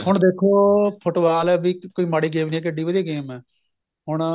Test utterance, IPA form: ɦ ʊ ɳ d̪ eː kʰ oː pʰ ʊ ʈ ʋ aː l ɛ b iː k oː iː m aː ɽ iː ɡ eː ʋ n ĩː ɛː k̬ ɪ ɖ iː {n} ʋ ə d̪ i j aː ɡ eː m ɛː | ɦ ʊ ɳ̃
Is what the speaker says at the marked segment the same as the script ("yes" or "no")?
no